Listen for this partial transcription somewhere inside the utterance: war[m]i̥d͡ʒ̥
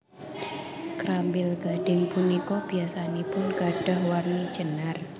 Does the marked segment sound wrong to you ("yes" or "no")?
yes